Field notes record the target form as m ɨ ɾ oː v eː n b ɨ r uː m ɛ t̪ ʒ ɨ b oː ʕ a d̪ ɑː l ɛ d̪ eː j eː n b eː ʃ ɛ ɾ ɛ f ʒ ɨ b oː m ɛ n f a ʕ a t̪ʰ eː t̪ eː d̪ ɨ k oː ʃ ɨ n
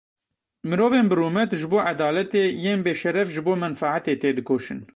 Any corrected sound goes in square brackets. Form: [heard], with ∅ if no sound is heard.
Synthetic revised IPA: m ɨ ɾ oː v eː n b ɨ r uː m ɛ t̪ ʒ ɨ b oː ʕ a d̪ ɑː l ɛ [t̪] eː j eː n b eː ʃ ɛ ɾ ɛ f ʒ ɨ b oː m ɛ n f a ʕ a [t̪] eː t̪ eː d̪ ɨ k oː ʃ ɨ n